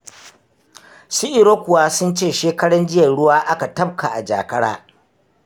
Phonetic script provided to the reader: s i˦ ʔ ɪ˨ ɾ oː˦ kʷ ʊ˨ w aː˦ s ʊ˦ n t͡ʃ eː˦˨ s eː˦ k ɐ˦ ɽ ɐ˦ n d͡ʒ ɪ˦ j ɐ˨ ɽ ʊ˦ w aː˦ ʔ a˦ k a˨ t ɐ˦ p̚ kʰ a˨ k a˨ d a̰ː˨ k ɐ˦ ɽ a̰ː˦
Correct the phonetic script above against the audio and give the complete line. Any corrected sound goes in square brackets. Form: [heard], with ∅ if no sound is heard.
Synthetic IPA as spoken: s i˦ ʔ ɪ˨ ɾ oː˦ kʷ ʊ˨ w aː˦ s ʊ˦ n t͡ʃ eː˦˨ [ʃ] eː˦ k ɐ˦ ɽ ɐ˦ n d͡ʒ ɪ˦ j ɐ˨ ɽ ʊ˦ w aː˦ ʔ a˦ k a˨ t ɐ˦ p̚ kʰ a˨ [ʔ] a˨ [d͡ʒ] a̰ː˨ k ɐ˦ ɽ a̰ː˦